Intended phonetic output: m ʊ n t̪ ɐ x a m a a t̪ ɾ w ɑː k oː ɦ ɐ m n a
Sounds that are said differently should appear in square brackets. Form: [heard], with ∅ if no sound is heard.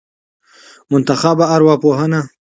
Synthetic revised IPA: m ʊ n t̪ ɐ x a [b] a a [∅] ɾ w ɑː [p] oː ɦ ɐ [∅] n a